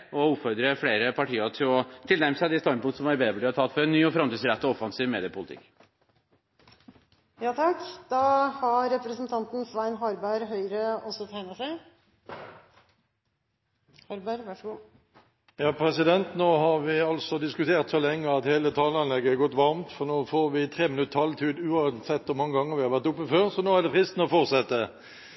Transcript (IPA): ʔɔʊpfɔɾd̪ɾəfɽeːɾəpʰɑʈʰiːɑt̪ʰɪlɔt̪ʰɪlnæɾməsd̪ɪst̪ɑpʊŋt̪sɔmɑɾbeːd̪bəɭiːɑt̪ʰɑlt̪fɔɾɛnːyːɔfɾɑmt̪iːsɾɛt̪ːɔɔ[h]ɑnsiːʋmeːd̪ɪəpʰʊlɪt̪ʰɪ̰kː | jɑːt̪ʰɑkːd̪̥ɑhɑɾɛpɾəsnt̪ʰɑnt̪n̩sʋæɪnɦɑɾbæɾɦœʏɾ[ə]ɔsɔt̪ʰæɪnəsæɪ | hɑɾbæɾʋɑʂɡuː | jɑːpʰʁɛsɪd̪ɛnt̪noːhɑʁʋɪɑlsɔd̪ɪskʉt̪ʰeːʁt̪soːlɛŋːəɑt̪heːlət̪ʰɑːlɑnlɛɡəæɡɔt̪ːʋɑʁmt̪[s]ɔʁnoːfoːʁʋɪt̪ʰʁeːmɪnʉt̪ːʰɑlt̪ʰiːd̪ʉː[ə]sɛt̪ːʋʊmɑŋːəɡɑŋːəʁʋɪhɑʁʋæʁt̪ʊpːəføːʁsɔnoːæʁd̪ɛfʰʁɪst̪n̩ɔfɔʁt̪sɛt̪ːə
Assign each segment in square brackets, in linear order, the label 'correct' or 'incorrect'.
incorrect: f, correct, incorrect: f, incorrect: ɑ

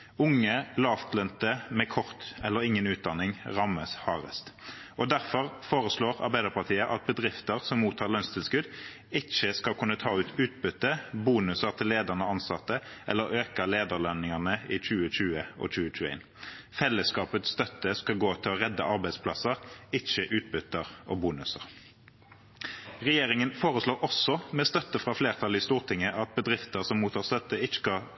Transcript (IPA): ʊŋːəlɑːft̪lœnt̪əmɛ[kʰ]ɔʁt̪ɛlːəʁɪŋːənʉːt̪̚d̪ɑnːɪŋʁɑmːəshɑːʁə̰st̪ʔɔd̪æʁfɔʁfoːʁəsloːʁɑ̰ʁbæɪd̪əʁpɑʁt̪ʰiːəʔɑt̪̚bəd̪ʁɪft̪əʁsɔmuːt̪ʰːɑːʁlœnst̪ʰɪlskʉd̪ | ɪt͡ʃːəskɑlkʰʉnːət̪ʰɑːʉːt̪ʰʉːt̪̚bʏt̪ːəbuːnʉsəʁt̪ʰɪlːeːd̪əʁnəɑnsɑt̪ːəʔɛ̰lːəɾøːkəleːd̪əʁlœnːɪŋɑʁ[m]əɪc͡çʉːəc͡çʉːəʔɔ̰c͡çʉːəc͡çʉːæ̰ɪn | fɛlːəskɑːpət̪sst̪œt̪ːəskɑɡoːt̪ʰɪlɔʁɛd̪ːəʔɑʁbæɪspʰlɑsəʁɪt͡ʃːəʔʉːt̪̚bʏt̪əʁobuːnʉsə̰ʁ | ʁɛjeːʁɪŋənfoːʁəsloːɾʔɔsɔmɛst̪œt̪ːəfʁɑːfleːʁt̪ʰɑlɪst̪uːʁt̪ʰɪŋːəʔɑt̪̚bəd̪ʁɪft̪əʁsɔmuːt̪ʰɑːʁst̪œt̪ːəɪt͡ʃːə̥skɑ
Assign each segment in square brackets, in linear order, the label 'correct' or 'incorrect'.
correct, incorrect: n

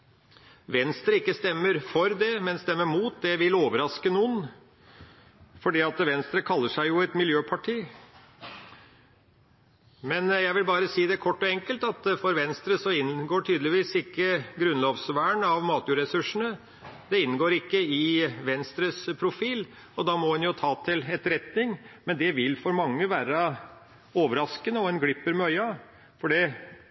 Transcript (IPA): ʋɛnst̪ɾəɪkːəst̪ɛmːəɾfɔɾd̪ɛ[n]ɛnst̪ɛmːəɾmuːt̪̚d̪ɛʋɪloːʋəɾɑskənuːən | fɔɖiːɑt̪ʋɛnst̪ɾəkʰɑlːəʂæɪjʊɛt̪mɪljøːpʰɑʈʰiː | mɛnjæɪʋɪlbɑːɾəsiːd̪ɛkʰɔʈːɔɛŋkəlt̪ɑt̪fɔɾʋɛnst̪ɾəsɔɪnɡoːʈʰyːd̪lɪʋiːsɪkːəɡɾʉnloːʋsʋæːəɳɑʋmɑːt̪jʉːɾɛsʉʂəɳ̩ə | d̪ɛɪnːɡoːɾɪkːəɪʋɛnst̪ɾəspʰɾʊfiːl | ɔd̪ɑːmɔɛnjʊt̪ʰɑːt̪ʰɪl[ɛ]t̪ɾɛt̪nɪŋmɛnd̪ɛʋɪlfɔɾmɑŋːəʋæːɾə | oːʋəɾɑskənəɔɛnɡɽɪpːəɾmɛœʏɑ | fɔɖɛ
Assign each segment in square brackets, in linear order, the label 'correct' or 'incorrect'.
incorrect: m, correct

